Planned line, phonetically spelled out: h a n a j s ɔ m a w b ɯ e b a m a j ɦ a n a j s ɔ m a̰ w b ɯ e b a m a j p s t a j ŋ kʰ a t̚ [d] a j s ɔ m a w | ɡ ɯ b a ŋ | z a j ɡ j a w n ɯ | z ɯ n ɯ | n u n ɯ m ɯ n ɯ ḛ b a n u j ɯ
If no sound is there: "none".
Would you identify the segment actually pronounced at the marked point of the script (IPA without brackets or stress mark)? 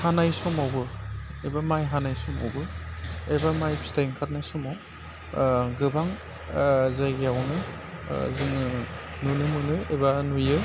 n